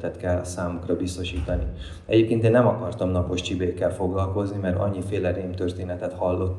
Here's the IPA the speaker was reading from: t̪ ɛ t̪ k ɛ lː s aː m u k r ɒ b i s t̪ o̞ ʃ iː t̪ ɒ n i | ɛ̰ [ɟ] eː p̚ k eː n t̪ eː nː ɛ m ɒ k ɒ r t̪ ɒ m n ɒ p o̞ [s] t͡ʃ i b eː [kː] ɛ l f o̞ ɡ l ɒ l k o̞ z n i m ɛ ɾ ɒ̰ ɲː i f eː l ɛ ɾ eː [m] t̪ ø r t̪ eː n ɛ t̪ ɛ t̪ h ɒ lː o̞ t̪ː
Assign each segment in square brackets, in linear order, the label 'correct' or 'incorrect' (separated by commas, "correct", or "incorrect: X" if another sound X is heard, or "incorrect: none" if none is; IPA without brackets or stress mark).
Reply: correct, incorrect: ʃ, correct, correct